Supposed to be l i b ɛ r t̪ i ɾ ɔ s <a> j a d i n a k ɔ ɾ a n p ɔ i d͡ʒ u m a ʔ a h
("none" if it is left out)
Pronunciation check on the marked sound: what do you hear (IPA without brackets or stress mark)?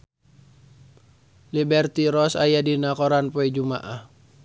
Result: a